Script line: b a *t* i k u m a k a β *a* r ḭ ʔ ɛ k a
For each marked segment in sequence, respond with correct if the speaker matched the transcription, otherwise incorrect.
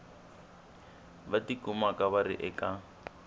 correct, correct

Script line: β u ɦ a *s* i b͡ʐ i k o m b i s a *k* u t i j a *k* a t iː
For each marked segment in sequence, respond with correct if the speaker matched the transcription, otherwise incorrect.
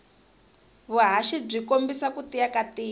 incorrect: ʃ, correct, correct

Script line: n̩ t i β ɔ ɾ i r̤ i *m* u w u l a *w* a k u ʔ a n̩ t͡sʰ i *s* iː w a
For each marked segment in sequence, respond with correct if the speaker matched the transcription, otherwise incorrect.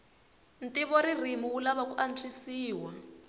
correct, incorrect: β, correct

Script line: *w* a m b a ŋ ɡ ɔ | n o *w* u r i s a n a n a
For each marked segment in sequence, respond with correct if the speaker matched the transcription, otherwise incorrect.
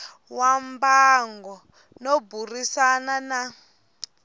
correct, incorrect: b

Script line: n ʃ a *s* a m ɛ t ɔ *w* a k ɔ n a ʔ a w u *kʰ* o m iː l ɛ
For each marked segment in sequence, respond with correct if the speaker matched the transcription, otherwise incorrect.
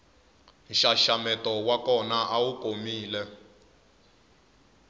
incorrect: ʃ, correct, incorrect: k

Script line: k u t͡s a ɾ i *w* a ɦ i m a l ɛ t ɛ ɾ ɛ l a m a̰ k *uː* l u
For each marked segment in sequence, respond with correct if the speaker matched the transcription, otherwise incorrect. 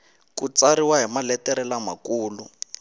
correct, correct

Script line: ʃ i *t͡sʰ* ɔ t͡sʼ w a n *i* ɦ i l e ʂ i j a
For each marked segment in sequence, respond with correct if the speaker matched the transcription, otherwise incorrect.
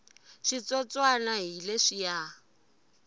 incorrect: t͡s, incorrect: a

